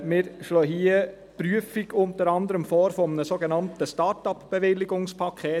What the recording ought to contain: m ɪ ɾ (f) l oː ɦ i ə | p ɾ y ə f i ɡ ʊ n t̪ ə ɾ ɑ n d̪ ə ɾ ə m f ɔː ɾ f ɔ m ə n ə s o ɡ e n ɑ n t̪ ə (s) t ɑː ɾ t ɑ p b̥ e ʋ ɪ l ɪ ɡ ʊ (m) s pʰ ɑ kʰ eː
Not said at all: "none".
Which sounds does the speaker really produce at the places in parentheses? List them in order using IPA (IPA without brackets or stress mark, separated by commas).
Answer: ʃ, s, ŋ